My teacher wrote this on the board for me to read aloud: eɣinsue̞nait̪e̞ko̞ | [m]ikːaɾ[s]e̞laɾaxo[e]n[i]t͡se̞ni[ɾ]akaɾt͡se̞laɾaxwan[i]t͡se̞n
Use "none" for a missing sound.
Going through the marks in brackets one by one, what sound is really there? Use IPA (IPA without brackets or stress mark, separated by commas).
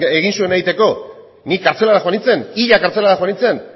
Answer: n, t͡s, a, i, ʎ, i